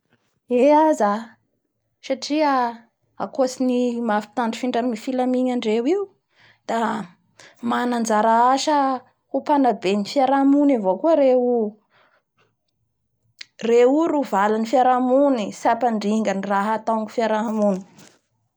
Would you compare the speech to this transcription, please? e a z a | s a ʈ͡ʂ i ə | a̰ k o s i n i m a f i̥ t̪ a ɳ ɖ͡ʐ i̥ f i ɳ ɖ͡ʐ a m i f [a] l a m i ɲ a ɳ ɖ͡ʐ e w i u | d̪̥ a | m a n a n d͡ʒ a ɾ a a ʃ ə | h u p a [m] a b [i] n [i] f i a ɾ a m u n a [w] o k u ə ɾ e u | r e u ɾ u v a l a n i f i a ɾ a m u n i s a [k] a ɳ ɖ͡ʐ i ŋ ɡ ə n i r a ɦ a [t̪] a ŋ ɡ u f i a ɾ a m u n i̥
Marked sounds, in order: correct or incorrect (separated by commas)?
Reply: incorrect, incorrect, incorrect, correct, incorrect, incorrect, correct